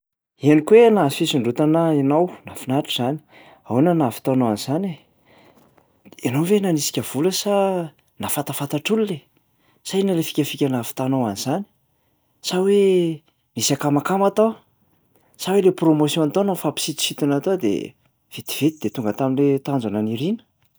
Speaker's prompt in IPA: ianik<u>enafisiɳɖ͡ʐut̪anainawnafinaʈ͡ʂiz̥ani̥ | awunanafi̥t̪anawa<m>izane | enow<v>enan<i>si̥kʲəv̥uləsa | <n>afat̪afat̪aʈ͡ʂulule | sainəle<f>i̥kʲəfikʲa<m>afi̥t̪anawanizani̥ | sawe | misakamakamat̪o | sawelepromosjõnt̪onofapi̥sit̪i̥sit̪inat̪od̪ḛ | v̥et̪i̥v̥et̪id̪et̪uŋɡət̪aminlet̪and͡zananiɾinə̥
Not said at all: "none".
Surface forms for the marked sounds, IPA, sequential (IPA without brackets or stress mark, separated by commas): w, n, v, i, n, f, n